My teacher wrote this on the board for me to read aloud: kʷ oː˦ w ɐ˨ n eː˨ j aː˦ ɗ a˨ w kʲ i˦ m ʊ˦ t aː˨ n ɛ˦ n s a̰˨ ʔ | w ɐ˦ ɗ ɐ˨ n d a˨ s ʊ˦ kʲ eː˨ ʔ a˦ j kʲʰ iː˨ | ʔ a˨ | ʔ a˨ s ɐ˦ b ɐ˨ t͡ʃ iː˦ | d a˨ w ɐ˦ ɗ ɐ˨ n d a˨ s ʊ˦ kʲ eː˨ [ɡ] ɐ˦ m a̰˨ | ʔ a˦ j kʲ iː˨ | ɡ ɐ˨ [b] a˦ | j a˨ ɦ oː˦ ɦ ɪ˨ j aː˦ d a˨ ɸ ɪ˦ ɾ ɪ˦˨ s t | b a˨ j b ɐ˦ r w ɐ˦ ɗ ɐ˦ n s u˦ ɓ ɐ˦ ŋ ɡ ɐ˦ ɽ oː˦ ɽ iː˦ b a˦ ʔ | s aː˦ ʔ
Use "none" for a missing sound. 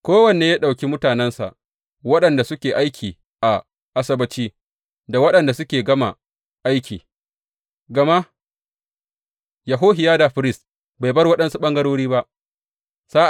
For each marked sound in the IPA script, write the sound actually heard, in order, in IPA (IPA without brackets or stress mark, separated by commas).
ɡ, m